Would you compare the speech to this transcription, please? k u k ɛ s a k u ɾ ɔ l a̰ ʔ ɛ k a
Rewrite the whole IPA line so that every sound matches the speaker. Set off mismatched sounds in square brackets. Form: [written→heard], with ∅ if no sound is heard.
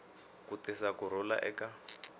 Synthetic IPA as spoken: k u [k→t] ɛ s a k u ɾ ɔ l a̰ ʔ ɛ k a